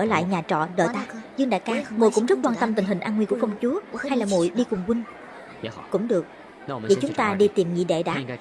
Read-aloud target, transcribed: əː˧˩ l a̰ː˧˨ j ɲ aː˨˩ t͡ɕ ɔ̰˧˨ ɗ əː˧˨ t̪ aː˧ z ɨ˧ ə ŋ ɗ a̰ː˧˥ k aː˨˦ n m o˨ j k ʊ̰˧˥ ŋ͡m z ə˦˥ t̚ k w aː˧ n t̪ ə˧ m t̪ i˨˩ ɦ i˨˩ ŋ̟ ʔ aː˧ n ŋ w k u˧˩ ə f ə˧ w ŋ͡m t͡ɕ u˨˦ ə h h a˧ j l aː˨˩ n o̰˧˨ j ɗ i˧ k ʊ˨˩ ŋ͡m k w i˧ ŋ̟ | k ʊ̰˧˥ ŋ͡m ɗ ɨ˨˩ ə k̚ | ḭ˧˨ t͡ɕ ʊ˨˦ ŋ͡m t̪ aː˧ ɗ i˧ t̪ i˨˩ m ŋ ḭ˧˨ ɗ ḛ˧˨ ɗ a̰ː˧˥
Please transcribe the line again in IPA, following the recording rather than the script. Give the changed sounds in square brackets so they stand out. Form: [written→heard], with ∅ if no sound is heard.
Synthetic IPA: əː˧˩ l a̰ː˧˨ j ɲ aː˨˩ t͡ɕ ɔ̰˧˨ ɗ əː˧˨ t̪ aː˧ z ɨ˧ ə ŋ ɗ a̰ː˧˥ k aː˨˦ [n→∅] m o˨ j k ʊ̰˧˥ ŋ͡m z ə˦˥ t̚ k w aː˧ n t̪ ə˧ m t̪ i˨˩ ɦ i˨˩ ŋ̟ ʔ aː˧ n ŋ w k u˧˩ ə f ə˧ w ŋ͡m t͡ɕ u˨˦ ə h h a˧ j l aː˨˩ [n→m] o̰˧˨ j ɗ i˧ k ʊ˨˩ ŋ͡m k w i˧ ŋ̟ | k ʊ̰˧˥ ŋ͡m ɗ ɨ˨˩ ə k̚ | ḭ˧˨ t͡ɕ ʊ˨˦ ŋ͡m t̪ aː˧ ɗ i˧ t̪ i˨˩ m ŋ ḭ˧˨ ɗ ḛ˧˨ ɗ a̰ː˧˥

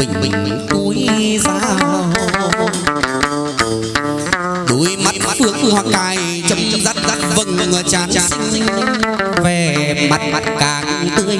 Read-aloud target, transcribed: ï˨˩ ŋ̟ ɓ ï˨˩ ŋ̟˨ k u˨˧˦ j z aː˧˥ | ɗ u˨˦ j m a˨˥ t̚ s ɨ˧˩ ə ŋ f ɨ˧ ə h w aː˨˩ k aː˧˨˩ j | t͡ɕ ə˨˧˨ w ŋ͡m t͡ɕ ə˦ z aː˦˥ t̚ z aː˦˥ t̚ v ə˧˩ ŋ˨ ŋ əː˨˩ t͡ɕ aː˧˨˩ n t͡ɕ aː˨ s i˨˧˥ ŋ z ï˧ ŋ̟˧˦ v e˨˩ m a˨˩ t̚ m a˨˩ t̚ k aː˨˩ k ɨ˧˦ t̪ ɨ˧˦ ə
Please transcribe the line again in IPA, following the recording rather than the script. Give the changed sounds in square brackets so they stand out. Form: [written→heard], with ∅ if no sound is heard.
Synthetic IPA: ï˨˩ ŋ̟ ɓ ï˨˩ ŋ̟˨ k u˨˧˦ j z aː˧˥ | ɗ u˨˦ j m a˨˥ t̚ [s→f] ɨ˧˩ ə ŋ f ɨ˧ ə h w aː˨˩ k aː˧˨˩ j | t͡ɕ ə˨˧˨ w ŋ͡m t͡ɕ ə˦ z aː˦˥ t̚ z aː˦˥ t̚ v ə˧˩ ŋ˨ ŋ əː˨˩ t͡ɕ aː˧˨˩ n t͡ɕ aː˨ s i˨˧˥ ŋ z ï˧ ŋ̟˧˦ v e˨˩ m a˨˩ t̚ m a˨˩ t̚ k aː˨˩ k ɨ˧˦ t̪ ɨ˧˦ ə

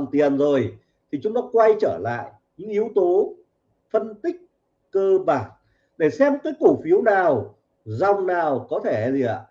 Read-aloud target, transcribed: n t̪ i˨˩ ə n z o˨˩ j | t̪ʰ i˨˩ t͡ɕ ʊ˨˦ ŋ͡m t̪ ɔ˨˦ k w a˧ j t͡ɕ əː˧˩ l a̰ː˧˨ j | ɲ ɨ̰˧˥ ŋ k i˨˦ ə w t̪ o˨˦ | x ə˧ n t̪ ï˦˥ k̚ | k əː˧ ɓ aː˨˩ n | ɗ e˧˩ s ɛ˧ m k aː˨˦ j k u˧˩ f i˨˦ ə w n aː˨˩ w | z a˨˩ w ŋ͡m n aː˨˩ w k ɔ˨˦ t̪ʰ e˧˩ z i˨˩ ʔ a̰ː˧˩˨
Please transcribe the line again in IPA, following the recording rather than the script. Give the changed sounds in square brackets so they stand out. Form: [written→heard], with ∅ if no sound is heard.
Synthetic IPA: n t̪ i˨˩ ə n z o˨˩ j | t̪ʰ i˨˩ t͡ɕ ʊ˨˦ ŋ͡m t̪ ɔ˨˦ k w a˧ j t͡ɕ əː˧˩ l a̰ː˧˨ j | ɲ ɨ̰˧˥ ŋ [k→ʔ] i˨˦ ə w t̪ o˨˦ | [x→f] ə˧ n t̪ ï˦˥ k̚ | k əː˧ ɓ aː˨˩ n | ɗ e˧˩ s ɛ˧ m k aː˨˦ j k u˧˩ f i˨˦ ə w n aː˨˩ w | z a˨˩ w ŋ͡m n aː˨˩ w k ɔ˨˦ t̪ʰ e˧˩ z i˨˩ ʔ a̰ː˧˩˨

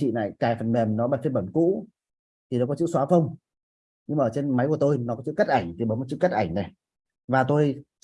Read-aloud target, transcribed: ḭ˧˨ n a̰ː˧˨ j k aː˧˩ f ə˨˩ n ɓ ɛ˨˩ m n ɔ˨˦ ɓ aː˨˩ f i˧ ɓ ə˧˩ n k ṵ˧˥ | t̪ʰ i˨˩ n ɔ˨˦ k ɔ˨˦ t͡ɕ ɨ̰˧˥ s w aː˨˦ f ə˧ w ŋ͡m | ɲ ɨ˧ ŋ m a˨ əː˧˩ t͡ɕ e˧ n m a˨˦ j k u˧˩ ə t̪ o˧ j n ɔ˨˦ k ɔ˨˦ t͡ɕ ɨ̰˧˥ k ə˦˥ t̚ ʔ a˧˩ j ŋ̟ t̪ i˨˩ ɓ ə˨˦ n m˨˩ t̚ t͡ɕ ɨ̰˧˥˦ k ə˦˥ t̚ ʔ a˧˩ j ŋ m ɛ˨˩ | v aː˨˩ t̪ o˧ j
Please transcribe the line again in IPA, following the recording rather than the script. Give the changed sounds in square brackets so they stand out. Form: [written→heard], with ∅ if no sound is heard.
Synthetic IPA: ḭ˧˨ n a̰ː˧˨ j k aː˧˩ f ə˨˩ n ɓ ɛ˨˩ m n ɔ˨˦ ɓ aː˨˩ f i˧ ɓ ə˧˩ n k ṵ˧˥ | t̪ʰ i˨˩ n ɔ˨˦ k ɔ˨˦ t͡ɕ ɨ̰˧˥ s w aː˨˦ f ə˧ w ŋ͡m | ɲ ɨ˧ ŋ m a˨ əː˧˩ t͡ɕ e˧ n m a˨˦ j k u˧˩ ə t̪ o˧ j n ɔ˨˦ k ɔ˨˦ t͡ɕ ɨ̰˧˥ k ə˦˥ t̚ ʔ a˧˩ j ŋ̟ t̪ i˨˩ ɓ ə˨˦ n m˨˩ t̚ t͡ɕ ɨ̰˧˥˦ k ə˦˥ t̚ ʔ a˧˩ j ŋ [m→n] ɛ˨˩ | v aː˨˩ t̪ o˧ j

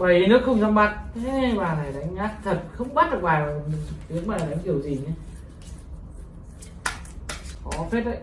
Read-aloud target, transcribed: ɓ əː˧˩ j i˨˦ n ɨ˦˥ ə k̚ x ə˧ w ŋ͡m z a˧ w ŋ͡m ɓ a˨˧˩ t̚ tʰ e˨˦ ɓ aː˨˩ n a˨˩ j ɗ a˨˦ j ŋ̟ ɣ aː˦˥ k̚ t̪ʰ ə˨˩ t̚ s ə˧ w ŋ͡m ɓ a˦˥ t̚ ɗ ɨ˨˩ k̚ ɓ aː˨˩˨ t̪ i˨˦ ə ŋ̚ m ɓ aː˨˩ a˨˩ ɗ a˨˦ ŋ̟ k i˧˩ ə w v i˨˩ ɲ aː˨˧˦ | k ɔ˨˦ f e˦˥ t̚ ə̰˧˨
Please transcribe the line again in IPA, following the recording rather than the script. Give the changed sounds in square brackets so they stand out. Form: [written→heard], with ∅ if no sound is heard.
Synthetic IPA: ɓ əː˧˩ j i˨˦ n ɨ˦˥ ə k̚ x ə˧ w ŋ͡m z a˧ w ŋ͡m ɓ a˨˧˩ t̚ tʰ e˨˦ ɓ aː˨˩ n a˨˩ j ɗ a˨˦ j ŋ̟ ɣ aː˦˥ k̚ t̪ʰ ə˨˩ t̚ [s→x] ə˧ w ŋ͡m ɓ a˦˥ t̚ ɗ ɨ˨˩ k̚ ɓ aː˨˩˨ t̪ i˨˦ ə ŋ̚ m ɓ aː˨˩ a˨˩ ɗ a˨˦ ŋ̟ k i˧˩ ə w [v→z] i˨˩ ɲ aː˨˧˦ | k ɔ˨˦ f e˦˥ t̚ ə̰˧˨

